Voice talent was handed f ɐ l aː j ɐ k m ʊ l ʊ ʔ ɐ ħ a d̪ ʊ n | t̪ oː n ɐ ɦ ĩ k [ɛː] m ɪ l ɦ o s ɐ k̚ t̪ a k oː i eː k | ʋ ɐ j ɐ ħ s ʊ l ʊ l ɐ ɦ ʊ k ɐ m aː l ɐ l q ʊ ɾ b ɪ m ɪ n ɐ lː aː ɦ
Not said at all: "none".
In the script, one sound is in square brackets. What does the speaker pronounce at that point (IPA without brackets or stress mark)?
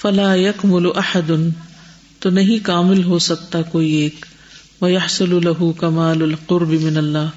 aː